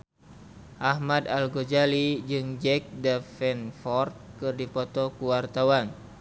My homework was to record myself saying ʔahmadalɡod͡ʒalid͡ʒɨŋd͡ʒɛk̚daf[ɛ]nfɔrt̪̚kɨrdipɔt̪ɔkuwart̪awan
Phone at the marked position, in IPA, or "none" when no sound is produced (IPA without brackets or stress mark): ɛ